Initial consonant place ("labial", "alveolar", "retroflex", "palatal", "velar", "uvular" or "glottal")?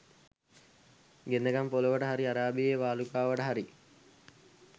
velar